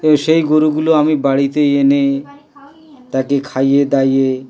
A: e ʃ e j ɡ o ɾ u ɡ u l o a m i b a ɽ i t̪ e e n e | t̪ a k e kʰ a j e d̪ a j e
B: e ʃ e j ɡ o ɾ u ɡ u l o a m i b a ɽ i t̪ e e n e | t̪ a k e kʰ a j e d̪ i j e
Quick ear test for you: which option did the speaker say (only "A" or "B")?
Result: A